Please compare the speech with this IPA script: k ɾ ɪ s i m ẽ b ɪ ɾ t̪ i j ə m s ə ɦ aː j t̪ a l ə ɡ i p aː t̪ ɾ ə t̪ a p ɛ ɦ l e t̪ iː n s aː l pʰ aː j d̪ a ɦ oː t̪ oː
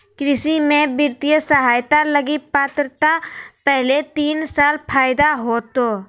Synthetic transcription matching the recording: k ɾ ɪ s i m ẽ b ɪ ɾ t̪ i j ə s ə ɦ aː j t̪ a l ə ɡ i p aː t̪ ɾ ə t̪ a p ɛ ɦ l e t̪ iː n s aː l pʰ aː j d̪ a ɦ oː t̪ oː